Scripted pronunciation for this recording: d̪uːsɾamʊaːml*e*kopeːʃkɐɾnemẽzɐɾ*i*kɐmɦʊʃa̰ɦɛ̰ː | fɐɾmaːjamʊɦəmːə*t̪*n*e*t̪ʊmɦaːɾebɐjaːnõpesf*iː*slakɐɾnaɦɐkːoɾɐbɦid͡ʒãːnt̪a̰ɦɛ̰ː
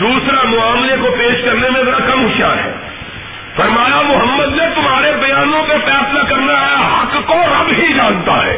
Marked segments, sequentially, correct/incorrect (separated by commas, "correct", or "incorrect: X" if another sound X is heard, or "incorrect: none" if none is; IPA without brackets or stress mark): correct, incorrect: a, incorrect: d̪, correct, incorrect: ɛː